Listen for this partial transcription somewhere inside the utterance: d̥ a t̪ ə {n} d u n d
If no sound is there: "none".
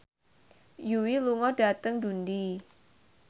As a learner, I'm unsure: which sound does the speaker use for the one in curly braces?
ŋ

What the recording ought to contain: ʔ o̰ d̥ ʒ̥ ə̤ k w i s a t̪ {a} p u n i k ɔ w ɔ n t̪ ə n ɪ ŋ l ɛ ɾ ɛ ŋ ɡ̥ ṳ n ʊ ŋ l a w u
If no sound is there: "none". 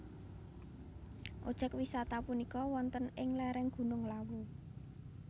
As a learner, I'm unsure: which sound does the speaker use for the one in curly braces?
a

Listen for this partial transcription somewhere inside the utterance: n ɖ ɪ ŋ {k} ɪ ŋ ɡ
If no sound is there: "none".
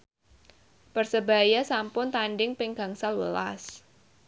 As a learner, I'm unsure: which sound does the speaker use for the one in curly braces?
p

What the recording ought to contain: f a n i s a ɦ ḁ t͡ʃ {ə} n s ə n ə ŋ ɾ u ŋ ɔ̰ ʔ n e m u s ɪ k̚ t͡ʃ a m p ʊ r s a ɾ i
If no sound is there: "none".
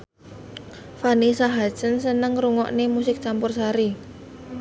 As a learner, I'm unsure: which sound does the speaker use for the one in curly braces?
ə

